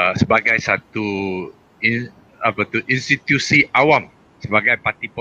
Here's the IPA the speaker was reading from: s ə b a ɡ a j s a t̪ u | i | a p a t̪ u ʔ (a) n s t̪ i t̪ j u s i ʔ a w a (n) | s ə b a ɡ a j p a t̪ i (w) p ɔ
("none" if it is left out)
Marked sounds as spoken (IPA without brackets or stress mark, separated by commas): i, m, none